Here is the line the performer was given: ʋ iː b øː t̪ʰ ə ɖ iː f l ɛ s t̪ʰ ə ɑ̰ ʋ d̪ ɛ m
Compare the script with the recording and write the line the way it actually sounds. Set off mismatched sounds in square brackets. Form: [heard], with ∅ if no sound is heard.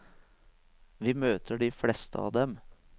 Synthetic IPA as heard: ʋ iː [m] øː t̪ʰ ə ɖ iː f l ɛ s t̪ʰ ə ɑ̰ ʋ d̪ ɛ m